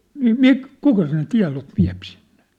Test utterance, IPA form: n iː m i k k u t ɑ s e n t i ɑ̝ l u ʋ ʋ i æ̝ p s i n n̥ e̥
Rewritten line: n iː m i k k u k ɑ s e n t i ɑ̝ l o ʋ ʋ i æ̝ p s i n n̥ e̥

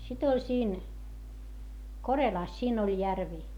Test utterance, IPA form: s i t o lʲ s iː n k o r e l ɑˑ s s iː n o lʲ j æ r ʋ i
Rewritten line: s i t o lʲ s iː n k o r e l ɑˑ s s iː n o lʲ j æ r ʋ i

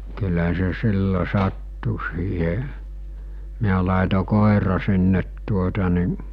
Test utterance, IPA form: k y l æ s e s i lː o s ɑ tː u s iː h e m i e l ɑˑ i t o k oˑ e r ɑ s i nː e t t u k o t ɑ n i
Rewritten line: k y l æ s e s i lː o s ɑ tː u s iː h e m i æ l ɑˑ e t o k oˑ e r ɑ s i nː e t t u o t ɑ n i

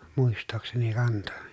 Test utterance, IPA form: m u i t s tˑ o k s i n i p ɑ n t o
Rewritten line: m u i s tˑ oː k s e n i k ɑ n t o

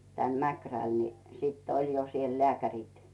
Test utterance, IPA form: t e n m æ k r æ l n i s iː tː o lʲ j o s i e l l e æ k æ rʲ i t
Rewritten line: t æ n m æ k r æ l n i s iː tː o lʲ j o s i e l l e æ k æ rʲ i t

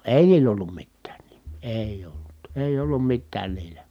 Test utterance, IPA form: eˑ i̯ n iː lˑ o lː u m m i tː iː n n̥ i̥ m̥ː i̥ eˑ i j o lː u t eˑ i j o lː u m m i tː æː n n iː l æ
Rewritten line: eˑ i̯ n iː lˑ o lː u m m i tː æː n n̥ i̥ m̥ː i̥ eˑ i j o lː u t eˑ i j o lː u m m i tː æː n n iː l æ

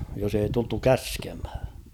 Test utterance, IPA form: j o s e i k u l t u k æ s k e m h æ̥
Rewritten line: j o s e i t u l t u k æ s k e m h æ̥

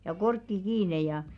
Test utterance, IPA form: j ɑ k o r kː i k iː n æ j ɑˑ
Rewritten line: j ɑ k o r kː i k iː n e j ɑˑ

